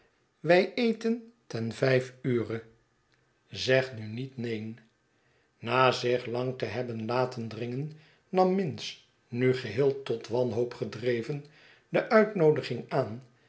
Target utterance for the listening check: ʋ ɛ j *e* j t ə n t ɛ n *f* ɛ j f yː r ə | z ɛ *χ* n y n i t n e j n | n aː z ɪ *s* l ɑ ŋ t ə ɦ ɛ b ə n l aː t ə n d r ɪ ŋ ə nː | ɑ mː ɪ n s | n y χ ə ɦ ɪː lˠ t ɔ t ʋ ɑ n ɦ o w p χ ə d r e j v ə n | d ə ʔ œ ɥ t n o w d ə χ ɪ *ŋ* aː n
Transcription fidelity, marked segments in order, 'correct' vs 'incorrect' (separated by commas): correct, incorrect, correct, incorrect, correct